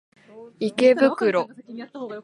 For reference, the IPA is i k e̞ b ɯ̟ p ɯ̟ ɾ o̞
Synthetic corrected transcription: i k e̞ b ɯ̟ k ɯ̟ ɾ o̞

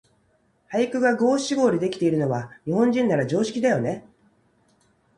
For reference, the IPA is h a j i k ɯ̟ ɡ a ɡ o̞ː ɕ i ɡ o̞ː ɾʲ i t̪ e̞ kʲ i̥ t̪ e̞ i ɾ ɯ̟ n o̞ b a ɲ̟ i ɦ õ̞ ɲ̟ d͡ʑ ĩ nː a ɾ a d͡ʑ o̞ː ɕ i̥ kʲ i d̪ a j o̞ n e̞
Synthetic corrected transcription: h a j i k ɯ̟ ɡ a ɡ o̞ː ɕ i ɡ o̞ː ɾʲ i d̪ e̞ kʲ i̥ t̪ e̞ i ɾ ɯ̟ n o̞ β a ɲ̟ i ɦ õ̞ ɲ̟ d͡ʑ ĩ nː a ɾ a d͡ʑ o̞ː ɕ i̥ kʲ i d̪ a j o̞ n e̞

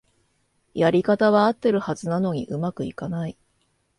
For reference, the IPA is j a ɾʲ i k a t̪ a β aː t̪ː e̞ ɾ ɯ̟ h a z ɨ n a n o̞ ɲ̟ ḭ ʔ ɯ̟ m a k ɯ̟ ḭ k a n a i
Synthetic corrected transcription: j a ɾʲ i k a t̪ a β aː t̪ː e̞ ɾ ɯ̟ h a z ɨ n a n o̞ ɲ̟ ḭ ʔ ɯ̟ m a k ɯ̟ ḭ k a n a i

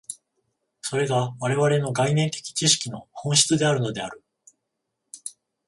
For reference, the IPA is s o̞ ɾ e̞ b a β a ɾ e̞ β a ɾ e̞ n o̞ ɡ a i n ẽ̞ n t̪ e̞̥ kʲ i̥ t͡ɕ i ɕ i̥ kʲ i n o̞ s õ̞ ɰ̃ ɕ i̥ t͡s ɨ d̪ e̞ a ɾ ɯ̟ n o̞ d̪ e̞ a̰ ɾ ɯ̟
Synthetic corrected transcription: s o̞ ɾ e̞ ɡ a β a ɾ e̞ β a ɾ e̞ n o̞ ɡ a i n ẽ̞ n t̪ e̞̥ kʲ i̥ t͡ɕ i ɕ i̥ kʲ i n o̞ h õ̞ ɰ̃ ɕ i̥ t͡s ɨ d̪ e̞ a ɾ ɯ̟ n o̞ d̪ e̞ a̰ ɾ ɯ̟

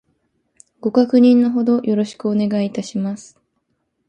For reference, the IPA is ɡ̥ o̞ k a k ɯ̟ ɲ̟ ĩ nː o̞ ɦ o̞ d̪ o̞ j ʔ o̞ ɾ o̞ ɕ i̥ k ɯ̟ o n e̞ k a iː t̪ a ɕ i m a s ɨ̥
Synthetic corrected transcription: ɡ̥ o̞ k a k ɯ̟ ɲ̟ ĩ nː o̞ ɦ o̞ d̪ o̞ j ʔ o̞ ɾ o̞ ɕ i̥ k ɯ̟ o n e̞ ɡ a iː t̪ a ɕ i m a s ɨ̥

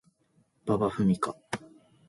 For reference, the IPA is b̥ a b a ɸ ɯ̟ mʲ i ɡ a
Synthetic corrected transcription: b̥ a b a ɸ ɯ̟ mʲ i k a

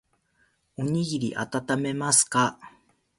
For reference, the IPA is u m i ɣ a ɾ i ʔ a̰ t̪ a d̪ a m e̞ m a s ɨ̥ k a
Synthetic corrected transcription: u ɲ i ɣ i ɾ i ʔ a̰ t̪ a t̪ a m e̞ m a s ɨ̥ k a

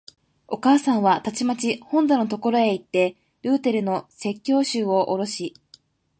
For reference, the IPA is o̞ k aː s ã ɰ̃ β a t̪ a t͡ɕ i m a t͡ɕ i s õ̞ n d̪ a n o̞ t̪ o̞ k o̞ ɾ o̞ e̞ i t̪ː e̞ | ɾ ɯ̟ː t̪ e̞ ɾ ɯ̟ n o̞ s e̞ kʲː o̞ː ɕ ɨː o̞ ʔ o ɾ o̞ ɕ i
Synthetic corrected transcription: o̞ k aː s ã ɰ̃ β a t̪ a t͡ɕ i m a t͡ɕ i h õ̞ n d̪ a n o̞ t̪ o̞ k o̞ ɾ o̞ e̞ i t̪ː e̞ | ɾ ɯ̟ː t̪ e̞ ɾ ɯ̟ n o̞ s e̞ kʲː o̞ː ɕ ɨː o̞ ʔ o ɾ o̞ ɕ i

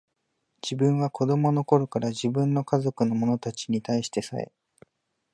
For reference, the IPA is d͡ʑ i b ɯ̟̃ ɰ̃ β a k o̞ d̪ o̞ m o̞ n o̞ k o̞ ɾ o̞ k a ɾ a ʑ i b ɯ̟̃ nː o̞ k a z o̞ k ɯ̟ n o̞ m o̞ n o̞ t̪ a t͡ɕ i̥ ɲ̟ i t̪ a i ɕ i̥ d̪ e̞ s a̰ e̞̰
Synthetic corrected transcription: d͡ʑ i b ɯ̟̃ ɰ̃ β a k o̞ d̪ o̞ m o̞ n o̞ k o̞ ɾ o̞ k a ɾ a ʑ i b ɯ̟̃ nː o̞ k a z o̞ k ɯ̟ n o̞ m o̞ n o̞ t̪ a t͡ɕ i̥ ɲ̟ i t̪ a i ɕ i̥ t̪ e̞ s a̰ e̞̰

